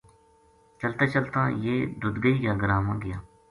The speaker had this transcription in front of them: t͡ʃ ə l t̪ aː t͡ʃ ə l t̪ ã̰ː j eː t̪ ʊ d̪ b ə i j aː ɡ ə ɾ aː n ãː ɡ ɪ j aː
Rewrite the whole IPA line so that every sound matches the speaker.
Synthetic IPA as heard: t͡ʃ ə l t̪ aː t͡ʃ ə l t̪ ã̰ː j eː d̪ ʊ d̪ ɡ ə i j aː ɡ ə ɾ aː m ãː ɡ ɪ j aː